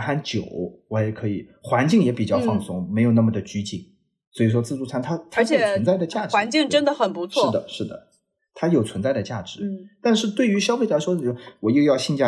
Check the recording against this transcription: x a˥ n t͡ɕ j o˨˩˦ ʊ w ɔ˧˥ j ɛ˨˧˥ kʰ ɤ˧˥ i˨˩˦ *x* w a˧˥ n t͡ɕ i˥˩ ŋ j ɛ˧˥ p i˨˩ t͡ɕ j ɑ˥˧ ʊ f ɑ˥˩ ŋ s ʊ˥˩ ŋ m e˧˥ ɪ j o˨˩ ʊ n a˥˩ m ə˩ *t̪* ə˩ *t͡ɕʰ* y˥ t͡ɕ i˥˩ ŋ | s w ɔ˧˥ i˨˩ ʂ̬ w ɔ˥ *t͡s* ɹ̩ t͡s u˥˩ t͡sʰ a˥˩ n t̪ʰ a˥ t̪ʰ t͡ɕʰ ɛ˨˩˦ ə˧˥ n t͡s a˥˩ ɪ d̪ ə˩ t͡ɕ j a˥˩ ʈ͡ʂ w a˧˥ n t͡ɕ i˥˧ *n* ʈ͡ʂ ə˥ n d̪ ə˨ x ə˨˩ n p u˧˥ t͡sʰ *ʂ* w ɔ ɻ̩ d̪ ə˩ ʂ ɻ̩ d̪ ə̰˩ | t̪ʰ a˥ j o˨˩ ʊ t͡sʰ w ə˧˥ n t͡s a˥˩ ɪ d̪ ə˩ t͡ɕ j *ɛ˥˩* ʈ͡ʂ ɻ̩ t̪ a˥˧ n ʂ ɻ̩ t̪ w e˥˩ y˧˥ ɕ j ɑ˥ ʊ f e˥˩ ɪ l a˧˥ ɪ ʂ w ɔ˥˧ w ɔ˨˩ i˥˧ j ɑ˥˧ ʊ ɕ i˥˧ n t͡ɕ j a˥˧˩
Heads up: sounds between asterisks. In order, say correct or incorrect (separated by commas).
correct, incorrect, incorrect, correct, incorrect, correct, incorrect